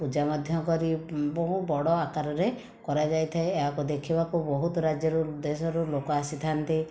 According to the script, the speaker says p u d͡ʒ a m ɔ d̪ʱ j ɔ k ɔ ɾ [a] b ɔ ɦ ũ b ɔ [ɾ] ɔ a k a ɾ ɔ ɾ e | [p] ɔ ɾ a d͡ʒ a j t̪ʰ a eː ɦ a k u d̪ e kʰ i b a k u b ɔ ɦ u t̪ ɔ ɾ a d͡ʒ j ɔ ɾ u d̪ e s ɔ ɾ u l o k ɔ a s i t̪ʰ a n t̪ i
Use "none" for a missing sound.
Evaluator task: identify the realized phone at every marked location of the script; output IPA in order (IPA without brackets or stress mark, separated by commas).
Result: i, ɽ, k